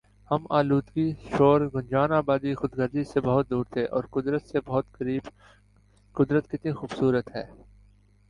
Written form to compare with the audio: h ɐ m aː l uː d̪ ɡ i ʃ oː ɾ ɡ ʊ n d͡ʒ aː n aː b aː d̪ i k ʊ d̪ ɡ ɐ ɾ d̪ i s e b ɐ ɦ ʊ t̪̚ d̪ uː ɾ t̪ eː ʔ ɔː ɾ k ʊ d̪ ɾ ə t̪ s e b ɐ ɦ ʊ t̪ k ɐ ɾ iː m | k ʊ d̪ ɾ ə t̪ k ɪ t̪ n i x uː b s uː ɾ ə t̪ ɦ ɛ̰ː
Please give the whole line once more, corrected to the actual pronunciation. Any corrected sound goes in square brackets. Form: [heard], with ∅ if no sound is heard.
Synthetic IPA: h ɐ m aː l uː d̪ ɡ i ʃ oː ɾ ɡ ʊ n d͡ʒ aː n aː b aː d̪ i [x] ʊ d̪ ɡ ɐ ɾ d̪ i s e b ɐ ɦ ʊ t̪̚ d̪ uː ɾ [t̪ʰ] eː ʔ ɔː ɾ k ʊ d̪ ɾ ə t̪ s e b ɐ ɦ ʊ t̪ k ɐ ɾ iː [b] | k ʊ d̪ ɾ ə t̪ k ɪ t̪ n i x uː b s uː ɾ ə t̪ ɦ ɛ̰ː